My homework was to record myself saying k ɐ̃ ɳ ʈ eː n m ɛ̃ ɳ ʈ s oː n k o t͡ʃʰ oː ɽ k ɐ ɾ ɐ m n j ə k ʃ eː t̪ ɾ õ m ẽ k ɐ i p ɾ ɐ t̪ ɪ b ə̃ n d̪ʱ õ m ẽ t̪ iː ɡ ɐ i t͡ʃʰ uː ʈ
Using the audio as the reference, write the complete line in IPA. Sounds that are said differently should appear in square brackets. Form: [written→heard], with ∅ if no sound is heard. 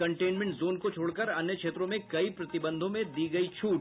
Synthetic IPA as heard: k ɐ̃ ɳ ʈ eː n m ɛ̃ ɳ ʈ [s→z] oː n k o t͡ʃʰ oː ɽ k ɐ ɾ ɐ [m→∅] n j ə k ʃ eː t̪ ɾ õ m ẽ k ɐ i p ɾ ɐ t̪ ɪ b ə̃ n d̪ʱ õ m ẽ [t̪→d̪] iː ɡ ɐ i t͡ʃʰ uː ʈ